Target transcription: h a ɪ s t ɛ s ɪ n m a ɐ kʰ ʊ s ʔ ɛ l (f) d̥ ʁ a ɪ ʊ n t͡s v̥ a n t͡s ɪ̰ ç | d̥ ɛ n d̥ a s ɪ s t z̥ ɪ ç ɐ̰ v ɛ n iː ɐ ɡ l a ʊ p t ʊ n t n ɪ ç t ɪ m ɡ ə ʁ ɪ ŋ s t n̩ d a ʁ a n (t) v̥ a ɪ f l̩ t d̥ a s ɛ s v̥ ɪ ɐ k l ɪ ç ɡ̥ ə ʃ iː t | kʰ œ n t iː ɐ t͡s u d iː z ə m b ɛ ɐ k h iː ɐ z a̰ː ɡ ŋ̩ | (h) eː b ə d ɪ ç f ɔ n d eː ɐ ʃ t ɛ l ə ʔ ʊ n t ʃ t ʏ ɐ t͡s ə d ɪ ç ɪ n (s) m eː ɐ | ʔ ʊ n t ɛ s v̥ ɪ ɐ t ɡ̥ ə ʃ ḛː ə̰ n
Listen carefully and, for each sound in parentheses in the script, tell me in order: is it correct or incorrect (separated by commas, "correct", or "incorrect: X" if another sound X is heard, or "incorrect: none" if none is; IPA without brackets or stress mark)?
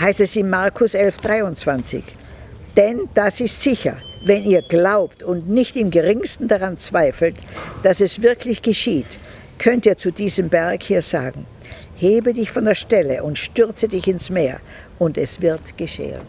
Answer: correct, incorrect: t͡s, correct, correct